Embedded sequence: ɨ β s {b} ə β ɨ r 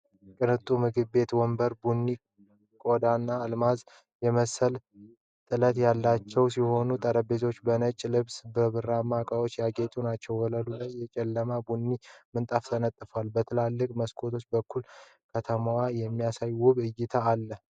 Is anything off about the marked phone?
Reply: no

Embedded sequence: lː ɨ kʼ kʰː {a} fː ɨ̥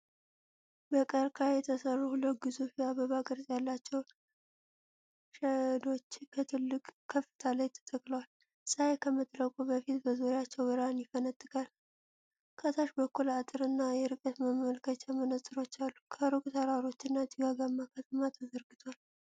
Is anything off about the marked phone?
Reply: yes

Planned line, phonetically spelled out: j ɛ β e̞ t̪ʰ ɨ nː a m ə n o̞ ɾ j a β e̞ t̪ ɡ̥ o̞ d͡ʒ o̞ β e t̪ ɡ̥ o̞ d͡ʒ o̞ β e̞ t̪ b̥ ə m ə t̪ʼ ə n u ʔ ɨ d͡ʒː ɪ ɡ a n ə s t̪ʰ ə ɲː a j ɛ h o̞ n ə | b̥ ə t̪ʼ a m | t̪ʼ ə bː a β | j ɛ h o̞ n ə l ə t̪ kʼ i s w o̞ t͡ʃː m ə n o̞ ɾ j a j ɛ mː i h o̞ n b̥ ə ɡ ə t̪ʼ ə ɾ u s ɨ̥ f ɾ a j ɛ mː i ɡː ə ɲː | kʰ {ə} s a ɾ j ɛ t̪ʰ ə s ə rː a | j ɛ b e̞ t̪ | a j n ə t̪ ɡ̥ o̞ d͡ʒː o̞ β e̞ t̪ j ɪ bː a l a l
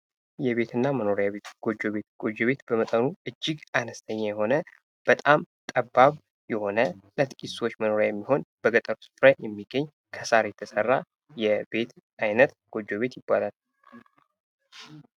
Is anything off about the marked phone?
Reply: no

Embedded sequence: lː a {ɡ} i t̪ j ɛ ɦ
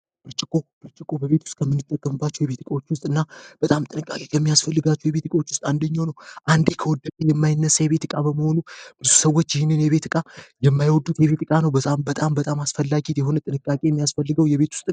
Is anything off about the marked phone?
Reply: no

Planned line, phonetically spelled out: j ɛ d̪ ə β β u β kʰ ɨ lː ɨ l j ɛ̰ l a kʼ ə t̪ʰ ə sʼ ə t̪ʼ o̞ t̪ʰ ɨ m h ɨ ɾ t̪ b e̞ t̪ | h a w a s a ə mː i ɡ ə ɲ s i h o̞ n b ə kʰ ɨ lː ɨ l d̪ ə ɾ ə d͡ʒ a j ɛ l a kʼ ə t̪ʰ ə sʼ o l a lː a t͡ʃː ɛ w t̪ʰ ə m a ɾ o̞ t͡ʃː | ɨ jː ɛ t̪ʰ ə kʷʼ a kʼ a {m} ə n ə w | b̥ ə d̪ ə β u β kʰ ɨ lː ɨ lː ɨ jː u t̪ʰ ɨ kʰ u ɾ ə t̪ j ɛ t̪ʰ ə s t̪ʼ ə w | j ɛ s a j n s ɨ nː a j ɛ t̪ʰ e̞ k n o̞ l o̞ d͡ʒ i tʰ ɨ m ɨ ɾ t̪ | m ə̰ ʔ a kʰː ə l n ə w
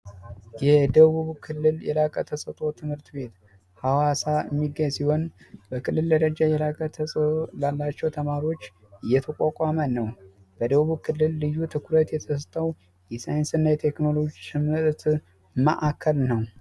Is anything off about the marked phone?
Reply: no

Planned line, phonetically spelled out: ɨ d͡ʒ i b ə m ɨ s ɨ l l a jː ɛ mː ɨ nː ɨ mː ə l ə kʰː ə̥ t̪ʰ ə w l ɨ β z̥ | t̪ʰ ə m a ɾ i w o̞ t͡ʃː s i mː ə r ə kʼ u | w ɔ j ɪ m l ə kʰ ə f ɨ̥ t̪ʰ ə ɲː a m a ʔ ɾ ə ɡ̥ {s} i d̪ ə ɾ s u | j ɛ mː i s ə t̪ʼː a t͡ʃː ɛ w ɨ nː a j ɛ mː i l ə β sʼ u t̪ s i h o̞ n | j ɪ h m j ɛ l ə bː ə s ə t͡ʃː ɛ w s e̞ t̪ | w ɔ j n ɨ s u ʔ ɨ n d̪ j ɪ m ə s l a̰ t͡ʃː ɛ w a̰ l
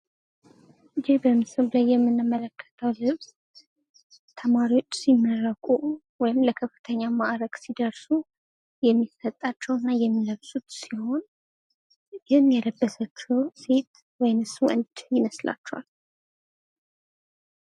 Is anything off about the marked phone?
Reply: no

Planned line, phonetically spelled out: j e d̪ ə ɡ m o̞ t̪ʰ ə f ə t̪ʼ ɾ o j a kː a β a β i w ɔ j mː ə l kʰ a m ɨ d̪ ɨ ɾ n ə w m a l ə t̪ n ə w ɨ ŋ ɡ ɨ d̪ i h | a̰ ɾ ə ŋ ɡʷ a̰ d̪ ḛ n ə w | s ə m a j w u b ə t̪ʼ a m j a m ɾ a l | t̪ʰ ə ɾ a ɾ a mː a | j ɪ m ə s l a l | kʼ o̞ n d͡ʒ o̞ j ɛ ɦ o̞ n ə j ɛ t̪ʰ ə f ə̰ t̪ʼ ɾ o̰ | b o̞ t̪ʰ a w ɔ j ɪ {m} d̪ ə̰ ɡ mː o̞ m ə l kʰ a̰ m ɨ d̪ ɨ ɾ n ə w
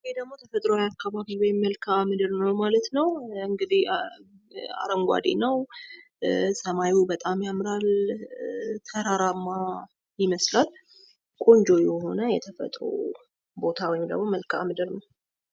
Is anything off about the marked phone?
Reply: no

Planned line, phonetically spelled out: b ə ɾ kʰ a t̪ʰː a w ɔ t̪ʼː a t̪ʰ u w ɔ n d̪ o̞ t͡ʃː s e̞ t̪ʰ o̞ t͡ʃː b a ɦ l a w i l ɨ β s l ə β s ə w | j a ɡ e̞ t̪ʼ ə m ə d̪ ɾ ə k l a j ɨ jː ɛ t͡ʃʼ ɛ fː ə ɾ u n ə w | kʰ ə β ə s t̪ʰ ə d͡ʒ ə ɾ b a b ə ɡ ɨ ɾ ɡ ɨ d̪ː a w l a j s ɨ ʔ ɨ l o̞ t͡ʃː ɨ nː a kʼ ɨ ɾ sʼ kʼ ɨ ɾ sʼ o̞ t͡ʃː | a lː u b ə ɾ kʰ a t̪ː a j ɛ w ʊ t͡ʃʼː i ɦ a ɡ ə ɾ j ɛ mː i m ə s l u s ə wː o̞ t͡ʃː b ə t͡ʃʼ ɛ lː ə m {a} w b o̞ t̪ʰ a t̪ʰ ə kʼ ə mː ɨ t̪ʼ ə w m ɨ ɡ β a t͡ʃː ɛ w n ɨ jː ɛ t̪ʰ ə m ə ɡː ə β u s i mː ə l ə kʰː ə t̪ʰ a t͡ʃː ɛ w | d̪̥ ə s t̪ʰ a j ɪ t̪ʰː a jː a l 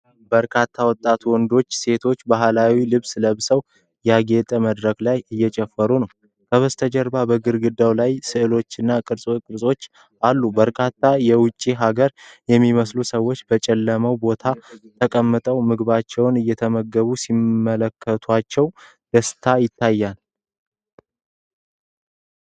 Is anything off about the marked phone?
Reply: yes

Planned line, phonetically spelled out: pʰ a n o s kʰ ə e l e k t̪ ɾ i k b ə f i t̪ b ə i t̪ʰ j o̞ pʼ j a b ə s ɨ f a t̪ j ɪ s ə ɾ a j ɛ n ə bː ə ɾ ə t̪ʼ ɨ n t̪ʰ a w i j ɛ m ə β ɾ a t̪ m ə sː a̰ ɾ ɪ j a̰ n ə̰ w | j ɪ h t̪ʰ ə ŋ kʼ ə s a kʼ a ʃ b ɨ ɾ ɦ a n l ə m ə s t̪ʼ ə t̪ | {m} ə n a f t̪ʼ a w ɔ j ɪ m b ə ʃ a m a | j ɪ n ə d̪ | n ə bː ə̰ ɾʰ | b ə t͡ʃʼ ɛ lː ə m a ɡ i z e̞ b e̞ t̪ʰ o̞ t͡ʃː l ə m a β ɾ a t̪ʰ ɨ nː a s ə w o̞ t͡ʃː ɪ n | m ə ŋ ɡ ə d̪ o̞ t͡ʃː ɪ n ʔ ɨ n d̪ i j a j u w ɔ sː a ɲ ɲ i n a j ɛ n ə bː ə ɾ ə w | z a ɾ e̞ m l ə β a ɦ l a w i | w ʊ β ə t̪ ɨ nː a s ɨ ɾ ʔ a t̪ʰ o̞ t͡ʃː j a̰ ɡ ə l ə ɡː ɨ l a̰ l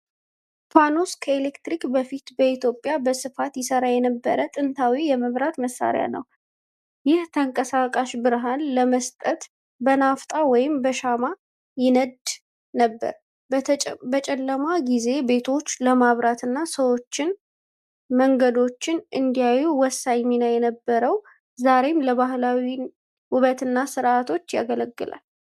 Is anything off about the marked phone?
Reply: yes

